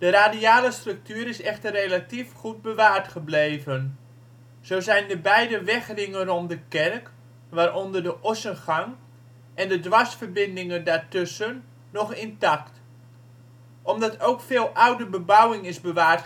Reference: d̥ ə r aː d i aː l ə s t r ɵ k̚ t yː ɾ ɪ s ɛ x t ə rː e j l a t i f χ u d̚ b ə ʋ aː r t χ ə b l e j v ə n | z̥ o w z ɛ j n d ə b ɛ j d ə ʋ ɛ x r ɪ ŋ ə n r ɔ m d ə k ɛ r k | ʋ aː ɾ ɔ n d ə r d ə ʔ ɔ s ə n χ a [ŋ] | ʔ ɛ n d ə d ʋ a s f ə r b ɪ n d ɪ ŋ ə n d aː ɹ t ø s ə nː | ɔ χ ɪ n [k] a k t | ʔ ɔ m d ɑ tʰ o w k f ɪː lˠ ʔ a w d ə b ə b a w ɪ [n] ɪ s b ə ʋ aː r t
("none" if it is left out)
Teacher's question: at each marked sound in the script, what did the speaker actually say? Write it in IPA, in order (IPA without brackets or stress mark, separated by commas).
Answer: ŋ, t, ŋ